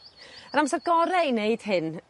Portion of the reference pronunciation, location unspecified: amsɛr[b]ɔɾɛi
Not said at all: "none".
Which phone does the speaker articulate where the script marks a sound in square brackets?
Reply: ɡ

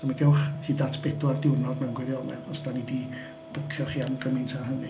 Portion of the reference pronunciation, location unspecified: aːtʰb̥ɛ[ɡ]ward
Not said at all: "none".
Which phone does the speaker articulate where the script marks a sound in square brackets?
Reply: d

